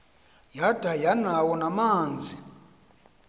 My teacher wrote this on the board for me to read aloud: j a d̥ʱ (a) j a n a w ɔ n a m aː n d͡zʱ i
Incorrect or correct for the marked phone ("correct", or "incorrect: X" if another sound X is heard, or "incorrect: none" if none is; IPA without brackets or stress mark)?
correct